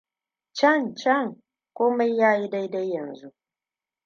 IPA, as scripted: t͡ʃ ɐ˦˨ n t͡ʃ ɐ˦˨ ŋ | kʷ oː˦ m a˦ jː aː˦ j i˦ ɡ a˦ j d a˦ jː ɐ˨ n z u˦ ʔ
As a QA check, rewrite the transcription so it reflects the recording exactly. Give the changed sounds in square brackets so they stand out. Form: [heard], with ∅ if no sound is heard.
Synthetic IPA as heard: t͡ʃ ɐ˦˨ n t͡ʃ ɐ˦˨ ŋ | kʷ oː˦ m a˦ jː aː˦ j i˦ [d] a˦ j d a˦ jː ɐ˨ n z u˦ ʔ